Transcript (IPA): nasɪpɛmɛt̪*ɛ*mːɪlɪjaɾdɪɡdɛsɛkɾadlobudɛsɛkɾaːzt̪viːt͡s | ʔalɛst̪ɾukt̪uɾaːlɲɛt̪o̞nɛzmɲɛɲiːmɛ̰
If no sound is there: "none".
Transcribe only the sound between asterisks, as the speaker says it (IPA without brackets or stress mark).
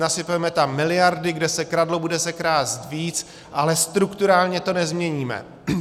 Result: a